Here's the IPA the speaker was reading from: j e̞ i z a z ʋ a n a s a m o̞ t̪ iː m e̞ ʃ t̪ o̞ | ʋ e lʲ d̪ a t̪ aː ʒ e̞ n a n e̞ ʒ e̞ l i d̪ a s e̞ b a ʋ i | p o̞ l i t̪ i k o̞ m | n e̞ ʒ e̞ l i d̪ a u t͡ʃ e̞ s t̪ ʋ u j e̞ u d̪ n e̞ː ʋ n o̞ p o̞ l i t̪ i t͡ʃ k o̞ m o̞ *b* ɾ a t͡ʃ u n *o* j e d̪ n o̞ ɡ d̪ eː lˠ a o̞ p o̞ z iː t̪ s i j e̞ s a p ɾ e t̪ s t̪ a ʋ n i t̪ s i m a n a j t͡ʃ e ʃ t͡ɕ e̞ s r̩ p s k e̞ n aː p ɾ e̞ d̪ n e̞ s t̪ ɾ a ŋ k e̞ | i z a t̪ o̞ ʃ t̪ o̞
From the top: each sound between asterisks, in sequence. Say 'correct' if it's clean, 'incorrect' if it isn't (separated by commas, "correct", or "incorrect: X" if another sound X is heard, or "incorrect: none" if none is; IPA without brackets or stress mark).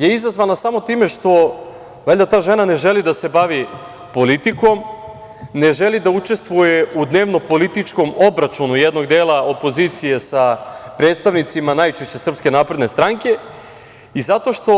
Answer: correct, incorrect: u